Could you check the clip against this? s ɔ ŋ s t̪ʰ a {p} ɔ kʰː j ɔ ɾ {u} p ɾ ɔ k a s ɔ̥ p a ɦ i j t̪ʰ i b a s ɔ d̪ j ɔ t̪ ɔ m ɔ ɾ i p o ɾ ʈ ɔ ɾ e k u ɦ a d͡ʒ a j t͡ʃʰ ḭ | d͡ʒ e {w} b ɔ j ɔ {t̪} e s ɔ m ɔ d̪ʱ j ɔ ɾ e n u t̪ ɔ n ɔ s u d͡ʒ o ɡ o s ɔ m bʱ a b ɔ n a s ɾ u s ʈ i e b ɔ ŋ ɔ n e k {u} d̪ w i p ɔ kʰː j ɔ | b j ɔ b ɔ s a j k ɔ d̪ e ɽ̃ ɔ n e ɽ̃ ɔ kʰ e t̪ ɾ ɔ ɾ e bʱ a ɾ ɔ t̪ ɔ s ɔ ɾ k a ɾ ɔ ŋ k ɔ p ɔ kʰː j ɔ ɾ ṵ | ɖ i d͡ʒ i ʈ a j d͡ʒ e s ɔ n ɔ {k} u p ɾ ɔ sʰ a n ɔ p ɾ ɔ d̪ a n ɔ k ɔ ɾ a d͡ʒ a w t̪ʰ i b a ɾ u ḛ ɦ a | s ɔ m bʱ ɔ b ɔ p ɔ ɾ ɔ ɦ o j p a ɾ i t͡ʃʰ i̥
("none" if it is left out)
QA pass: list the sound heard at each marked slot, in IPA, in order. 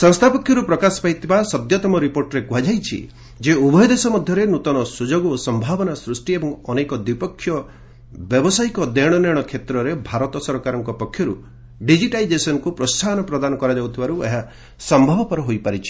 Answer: p, u, u, d̪, ɔ, k

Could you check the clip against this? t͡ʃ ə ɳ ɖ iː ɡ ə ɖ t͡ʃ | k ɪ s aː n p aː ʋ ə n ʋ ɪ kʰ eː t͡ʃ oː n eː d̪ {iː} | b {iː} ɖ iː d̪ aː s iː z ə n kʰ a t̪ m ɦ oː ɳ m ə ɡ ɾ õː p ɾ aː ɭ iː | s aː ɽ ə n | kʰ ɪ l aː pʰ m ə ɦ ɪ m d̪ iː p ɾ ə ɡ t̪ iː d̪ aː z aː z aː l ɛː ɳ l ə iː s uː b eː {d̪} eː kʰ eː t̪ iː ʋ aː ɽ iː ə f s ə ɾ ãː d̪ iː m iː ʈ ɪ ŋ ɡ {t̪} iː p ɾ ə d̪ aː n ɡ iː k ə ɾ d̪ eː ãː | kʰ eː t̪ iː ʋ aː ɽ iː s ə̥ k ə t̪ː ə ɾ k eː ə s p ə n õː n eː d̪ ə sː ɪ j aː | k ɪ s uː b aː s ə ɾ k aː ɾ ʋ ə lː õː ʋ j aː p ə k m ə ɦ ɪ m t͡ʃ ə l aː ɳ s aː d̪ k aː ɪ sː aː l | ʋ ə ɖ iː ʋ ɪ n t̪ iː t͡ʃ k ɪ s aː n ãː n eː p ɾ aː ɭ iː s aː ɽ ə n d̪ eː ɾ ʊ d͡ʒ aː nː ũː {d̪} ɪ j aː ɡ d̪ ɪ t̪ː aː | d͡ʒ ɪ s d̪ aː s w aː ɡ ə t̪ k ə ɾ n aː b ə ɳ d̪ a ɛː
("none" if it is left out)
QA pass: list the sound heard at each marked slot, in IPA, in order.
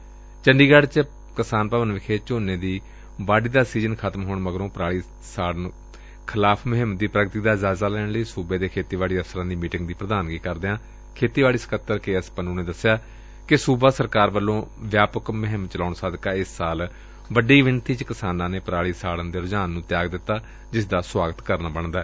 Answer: iː, aː, d̪, d̪, t̪

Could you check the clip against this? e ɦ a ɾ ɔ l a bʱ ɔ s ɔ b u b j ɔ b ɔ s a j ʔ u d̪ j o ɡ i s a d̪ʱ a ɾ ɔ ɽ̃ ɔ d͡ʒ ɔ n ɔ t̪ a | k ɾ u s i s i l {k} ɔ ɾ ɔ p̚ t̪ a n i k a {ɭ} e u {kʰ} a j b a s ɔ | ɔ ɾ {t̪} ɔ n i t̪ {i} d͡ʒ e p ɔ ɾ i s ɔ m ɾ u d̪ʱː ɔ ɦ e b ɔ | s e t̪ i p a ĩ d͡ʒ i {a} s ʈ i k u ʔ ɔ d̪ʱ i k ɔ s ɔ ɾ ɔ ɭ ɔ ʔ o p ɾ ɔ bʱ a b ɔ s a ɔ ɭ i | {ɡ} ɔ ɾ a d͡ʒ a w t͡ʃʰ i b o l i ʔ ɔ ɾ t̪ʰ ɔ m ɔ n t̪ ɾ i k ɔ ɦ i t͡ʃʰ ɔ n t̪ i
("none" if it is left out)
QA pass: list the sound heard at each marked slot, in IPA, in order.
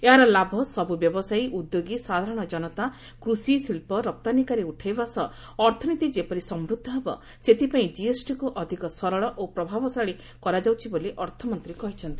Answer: p, ɾ, ʈʰ, t̪ʰ, i, e, k

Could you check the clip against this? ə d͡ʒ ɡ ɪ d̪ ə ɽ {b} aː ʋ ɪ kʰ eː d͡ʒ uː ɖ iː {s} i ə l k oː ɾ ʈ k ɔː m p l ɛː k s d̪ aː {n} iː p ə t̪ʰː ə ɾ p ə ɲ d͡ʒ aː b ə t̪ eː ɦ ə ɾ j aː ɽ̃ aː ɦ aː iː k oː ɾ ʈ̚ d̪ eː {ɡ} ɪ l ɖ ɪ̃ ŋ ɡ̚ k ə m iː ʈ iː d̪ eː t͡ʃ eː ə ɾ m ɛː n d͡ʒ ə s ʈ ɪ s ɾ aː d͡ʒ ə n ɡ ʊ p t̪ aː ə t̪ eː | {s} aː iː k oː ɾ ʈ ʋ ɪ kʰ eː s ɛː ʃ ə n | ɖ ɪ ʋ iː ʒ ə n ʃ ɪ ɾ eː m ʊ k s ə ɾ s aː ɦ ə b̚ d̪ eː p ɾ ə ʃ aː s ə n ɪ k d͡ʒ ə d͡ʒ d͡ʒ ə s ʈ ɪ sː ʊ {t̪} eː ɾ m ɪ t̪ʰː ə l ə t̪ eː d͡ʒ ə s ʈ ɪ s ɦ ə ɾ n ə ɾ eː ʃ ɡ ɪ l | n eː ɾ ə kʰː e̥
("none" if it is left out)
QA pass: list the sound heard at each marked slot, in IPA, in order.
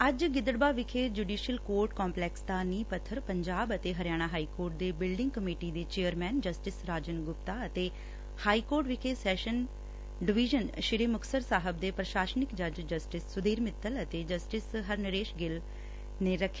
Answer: b, ʃ, n, b, h, d̪

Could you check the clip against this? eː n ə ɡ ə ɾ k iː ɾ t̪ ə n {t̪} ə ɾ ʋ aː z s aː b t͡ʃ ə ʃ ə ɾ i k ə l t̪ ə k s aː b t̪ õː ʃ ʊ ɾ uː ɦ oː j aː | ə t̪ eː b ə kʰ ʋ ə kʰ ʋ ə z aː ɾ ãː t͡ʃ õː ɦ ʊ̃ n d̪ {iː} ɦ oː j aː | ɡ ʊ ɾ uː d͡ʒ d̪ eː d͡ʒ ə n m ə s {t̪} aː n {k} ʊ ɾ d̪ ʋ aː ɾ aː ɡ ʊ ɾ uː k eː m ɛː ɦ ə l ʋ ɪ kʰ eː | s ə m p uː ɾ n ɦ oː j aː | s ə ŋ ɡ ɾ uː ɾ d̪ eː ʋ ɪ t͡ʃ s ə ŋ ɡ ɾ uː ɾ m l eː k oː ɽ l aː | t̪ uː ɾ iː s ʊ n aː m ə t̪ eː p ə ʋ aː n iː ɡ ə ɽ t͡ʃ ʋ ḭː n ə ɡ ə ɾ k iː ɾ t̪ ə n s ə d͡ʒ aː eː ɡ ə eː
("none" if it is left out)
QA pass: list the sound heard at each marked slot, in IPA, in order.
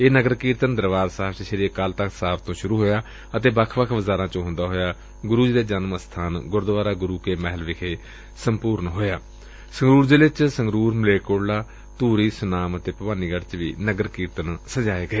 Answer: d̪, aː, t̪ʰ, ɡ

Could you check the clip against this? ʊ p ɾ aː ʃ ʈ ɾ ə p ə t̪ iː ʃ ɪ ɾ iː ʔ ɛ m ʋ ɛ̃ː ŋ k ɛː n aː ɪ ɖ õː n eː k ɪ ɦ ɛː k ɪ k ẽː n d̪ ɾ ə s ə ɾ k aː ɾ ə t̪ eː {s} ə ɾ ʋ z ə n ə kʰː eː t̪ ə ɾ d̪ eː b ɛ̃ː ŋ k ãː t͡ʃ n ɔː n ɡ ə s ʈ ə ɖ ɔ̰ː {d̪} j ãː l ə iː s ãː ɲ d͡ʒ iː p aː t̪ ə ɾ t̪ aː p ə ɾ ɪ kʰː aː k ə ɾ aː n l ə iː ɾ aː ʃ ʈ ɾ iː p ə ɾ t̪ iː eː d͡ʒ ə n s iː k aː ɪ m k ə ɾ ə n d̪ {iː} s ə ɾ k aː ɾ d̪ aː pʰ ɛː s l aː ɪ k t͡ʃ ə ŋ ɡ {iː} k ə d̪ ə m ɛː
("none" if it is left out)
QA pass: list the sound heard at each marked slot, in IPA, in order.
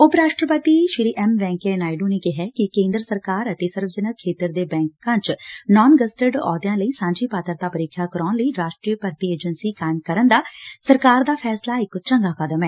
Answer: s, d̪, aː, aː

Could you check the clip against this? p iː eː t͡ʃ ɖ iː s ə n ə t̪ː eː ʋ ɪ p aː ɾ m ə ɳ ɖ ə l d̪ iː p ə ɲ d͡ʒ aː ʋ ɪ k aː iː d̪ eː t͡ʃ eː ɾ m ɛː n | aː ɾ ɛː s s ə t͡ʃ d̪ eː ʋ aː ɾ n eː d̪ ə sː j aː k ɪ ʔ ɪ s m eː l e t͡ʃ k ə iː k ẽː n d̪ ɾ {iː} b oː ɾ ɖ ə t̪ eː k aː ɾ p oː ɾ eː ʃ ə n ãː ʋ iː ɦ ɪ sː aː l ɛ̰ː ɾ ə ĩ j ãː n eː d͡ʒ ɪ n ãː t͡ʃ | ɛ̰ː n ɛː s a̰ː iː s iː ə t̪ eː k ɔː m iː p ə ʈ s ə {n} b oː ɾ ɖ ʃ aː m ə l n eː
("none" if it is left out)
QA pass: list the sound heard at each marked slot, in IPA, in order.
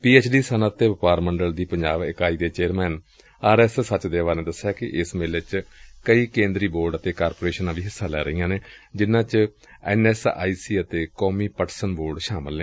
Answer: iː, n

